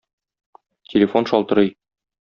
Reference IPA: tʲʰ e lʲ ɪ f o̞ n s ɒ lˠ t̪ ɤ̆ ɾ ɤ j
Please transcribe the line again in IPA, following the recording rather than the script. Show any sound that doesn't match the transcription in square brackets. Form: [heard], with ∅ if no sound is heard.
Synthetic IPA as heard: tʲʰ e lʲ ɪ f o̞ n [ʃ] ɒ lˠ t̪ ɤ̆ ɾ ɤ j